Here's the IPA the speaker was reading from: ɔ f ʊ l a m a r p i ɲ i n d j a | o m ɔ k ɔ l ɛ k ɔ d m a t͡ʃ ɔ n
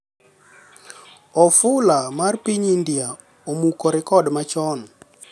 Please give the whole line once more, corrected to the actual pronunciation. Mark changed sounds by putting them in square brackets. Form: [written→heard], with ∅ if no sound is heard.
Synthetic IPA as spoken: ɔ f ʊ l a m a r p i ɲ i n d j a | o m [ɔ→u] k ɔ [l→ɾ] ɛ k ɔ d m a t͡ʃ ɔ n